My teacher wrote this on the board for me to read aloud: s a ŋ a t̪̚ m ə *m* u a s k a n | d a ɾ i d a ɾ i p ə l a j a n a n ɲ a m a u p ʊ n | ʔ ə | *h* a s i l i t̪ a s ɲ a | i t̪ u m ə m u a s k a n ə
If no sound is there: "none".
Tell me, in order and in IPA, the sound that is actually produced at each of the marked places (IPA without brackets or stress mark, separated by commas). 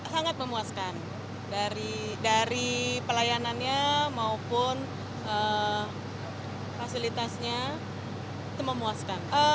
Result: m, f